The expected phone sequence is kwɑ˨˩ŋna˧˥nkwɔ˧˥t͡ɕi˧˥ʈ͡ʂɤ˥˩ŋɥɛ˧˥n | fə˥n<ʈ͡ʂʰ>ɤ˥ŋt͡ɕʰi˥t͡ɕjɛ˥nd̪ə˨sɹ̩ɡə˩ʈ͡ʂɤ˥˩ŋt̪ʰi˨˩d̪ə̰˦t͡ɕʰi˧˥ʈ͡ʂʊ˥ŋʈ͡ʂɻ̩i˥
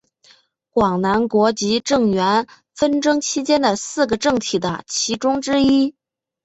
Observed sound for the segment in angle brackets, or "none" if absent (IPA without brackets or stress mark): ʈ͡ʂ